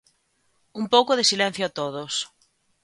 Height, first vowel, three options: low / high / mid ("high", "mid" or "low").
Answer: high